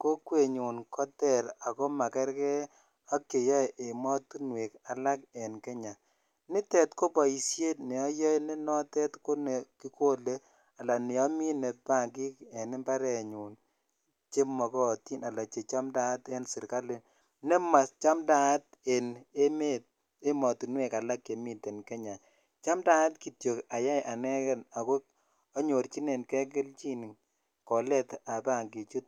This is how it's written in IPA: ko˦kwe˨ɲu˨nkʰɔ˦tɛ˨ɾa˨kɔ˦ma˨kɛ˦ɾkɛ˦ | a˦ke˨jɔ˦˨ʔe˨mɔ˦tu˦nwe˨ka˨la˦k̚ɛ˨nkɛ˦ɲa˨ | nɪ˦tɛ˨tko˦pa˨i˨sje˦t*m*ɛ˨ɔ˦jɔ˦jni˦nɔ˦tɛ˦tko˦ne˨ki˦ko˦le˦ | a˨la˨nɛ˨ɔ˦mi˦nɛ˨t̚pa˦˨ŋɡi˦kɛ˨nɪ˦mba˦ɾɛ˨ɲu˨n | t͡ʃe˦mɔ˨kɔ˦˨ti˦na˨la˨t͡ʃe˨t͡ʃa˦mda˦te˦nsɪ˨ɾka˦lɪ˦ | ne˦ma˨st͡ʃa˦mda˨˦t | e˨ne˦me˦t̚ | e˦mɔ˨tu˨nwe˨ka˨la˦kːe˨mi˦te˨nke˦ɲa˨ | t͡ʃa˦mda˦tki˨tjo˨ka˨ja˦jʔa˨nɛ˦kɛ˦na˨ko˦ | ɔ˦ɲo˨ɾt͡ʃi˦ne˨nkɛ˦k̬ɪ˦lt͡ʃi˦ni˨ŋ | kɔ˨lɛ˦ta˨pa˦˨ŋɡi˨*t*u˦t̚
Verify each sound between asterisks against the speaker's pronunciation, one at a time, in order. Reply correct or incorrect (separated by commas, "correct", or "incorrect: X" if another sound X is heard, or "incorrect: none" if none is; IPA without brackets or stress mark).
incorrect: n, incorrect: t͡ʃ